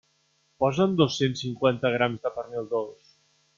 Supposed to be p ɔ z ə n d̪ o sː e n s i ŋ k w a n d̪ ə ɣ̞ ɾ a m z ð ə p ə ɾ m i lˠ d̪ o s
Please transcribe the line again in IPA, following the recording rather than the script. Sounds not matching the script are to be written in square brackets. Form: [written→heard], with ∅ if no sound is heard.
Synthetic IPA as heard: p ɔ z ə n d̪ o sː e n s i ŋ k w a n [d̪→t̪] ə ɣ̞ ɾ a m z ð ə p ə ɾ m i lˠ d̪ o s